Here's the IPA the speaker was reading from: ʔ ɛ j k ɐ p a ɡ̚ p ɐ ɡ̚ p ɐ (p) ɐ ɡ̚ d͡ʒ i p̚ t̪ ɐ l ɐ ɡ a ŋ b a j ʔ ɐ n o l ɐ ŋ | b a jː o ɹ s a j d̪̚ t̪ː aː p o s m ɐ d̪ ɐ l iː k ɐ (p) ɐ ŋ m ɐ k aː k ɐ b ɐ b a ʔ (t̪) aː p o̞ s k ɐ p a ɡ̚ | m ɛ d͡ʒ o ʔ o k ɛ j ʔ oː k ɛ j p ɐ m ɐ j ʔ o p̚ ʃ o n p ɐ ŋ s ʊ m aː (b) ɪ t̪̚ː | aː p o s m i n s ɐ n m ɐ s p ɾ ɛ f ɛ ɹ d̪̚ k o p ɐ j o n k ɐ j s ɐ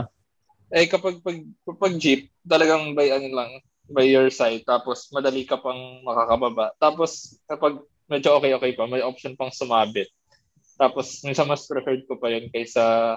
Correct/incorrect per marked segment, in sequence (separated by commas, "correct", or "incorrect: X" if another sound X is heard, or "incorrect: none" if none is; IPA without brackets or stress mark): correct, correct, correct, correct